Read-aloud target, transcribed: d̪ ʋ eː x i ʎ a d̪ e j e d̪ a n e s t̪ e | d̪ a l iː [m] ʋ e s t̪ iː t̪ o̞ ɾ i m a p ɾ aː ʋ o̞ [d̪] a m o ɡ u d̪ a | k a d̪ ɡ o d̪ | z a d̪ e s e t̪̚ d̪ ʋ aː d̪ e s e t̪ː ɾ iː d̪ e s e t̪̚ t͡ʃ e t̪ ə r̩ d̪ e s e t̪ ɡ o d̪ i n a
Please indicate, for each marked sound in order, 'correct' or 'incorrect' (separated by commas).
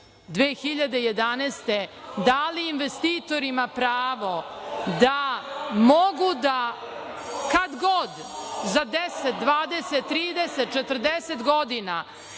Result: incorrect, correct